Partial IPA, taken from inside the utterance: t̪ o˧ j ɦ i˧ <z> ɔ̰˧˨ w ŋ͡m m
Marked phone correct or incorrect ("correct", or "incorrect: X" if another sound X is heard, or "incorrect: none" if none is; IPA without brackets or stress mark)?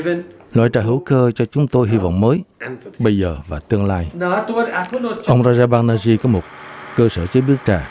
incorrect: v